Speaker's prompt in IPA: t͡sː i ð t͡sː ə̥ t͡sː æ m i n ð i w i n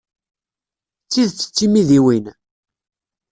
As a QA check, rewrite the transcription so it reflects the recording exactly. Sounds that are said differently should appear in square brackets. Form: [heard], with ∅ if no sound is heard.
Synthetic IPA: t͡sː i ð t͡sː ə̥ t͡sː [i] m i [∅] ð i w i n

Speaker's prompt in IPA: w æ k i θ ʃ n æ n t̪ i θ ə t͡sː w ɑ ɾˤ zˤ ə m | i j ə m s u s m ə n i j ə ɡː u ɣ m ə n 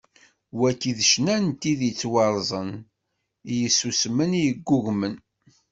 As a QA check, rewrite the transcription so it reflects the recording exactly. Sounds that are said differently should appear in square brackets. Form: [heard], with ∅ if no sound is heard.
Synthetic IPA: w æ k i [ð] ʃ n æ n t̪ i [ð] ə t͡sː w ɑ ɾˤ zˤ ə [n] | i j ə [∅] s u s m ə n i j ə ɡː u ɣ m ə n

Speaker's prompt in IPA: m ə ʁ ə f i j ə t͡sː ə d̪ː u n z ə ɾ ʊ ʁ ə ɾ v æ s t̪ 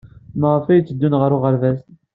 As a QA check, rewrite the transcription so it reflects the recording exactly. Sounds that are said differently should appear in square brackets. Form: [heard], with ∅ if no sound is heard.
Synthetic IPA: m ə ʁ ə f [æ] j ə t͡sː ə d̪ː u n [ʁ] ə ɾ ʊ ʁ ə ɾ v æ s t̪

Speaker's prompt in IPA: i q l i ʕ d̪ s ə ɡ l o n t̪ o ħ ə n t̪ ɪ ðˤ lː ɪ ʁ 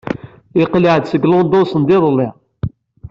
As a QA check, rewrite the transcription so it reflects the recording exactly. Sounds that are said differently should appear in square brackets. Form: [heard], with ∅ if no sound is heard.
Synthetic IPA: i q l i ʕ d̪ s ə ɡ l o n [d̪] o [s] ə n [d̪] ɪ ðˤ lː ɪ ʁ

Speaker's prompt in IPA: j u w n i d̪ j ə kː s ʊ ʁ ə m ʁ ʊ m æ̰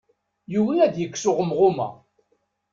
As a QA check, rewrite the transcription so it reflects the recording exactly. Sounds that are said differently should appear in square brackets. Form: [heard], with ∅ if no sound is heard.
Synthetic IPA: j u w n [æ] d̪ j ə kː s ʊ ʁ ə m ʁ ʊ m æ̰

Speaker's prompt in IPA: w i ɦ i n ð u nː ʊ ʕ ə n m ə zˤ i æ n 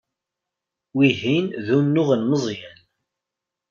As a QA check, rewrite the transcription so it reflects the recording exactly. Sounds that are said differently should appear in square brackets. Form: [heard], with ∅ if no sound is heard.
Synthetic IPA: w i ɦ i n ð u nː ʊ [ʁ] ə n m ə zˤ [j] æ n

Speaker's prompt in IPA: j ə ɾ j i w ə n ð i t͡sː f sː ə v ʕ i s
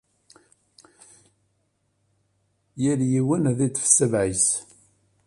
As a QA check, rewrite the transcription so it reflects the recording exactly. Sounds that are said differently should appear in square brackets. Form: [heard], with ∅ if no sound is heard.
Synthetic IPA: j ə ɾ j i w ə n ð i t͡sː f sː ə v ʕ i s

